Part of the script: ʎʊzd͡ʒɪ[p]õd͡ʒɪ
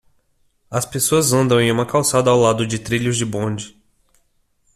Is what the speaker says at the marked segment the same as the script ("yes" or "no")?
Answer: no